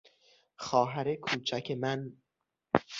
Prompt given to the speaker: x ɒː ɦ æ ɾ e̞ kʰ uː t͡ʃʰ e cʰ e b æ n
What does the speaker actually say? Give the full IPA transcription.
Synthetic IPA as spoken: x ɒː ɦ æ ɾ e̞ kʰ uː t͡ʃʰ æ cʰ e m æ n